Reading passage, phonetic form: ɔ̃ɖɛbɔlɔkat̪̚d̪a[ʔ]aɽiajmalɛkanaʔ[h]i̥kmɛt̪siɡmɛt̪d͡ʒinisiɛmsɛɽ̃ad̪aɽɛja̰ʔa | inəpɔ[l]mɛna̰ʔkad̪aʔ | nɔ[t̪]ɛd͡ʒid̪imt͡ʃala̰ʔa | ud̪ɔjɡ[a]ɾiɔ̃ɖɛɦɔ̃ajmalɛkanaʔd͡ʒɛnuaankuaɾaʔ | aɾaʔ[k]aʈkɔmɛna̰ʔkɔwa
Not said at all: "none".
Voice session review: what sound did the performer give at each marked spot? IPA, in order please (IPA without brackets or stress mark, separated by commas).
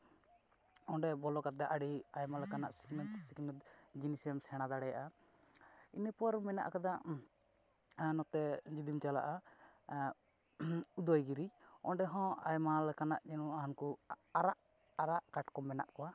ʔ, s, ɾ, t̪, i, k